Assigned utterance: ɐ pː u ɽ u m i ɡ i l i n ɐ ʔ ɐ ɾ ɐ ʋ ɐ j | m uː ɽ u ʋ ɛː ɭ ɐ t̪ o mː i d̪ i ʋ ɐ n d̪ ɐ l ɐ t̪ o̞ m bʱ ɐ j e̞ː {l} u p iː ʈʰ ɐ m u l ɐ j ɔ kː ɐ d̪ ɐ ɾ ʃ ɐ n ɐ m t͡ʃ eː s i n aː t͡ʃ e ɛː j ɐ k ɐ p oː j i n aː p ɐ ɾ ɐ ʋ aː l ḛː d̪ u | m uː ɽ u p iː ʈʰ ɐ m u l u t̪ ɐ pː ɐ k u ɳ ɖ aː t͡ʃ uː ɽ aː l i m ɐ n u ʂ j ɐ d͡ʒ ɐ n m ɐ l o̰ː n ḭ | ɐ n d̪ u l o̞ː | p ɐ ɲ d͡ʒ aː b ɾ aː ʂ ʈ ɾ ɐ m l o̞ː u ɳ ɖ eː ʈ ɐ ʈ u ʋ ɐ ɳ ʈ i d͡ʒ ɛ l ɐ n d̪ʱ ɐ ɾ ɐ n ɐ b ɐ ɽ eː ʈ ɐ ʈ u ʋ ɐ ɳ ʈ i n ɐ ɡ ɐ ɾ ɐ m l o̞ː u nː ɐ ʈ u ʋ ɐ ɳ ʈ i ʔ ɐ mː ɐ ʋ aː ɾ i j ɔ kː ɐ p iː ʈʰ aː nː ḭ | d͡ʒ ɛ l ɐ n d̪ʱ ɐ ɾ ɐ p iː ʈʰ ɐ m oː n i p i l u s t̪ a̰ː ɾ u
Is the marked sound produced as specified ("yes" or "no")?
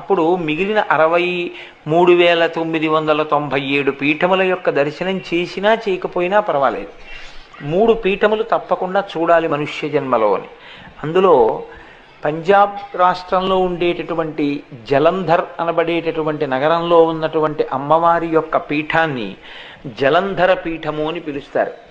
no